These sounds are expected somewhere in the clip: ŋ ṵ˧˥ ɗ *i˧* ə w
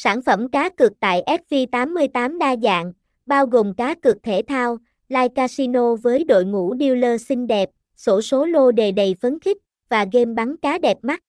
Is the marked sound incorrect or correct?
correct